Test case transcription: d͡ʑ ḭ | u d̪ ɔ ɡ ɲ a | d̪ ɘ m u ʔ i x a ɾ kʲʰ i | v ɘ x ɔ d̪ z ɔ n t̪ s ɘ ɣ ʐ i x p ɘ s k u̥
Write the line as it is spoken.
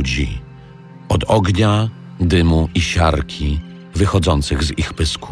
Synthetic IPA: d͡ʑ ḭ | ɔ d̪ ɔ ɡ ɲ a | d̪ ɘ m u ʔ i ɕ a ɾ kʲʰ i | v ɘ x ɔ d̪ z ɔ n t̪ s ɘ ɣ z i x p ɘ s k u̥